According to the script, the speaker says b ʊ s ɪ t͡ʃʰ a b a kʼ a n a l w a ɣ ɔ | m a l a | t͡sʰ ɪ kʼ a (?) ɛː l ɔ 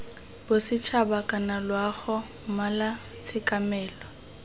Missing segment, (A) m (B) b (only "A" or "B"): A